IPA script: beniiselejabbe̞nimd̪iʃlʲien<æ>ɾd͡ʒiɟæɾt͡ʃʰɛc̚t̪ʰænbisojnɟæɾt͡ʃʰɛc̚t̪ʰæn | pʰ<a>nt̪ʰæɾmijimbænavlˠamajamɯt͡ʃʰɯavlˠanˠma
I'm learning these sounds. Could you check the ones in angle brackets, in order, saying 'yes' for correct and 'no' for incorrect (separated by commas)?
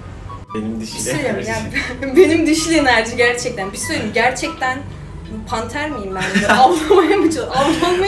yes, yes